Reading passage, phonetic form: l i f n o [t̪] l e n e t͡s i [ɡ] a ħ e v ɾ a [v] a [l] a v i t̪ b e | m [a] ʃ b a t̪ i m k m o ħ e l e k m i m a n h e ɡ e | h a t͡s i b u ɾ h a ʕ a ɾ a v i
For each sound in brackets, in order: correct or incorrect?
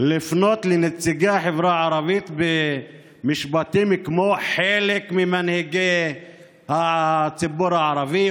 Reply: correct, correct, incorrect, incorrect, incorrect

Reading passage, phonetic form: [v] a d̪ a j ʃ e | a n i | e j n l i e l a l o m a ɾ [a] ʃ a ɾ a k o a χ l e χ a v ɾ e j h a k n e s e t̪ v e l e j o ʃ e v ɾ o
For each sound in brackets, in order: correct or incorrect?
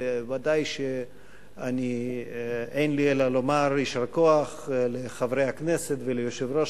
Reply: correct, incorrect

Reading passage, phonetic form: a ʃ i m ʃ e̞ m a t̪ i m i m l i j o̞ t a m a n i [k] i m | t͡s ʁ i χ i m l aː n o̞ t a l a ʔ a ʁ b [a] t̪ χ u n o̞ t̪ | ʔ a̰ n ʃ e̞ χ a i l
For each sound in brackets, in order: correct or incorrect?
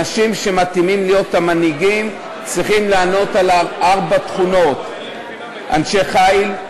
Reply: incorrect, correct

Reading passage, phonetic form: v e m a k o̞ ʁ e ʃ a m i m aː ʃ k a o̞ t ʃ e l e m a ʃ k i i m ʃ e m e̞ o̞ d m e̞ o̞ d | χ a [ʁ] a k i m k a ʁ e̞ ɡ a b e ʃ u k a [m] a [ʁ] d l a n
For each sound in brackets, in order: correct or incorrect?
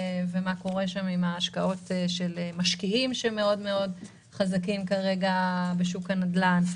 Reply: incorrect, incorrect, incorrect

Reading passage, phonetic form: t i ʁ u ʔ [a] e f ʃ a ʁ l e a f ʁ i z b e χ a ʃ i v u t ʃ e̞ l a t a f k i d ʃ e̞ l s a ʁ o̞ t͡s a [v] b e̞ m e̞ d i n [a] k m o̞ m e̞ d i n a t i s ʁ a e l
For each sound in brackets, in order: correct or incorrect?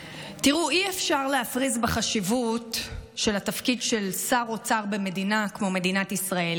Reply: incorrect, incorrect, correct

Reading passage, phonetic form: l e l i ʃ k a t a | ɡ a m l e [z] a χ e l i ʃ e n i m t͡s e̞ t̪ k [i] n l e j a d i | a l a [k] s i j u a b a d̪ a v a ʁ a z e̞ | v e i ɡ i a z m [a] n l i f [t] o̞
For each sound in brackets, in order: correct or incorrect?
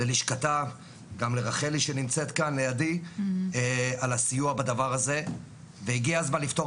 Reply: incorrect, incorrect, incorrect, correct, correct

